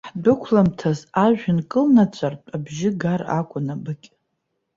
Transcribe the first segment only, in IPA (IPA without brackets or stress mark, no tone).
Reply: ħ